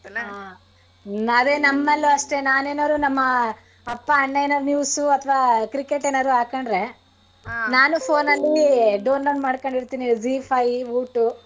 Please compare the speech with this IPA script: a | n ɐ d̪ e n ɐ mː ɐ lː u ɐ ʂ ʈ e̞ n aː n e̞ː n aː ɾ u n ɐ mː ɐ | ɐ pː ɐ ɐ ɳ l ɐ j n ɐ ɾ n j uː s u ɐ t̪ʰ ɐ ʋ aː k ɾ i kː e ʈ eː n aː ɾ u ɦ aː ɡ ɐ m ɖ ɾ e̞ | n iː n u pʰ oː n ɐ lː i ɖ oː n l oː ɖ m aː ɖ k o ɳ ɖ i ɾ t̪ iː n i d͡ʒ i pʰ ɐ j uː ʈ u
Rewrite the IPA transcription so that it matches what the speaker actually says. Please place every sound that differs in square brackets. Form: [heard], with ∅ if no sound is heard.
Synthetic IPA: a | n ɐ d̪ e n ɐ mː ɐ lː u ɐ ʂ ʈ e̞ n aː n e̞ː n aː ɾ u n ɐ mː ɐ | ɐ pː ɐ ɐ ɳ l ɐ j n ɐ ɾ n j uː s u ɐ t̪ʰ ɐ ʋ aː k ɾ i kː e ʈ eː n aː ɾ u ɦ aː [k] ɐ [ɳ] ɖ ɾ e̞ | n [aː] n u pʰ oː n ɐ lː i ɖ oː n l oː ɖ m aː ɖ k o ɳ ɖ i ɾ t̪ iː n i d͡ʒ i pʰ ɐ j uː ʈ u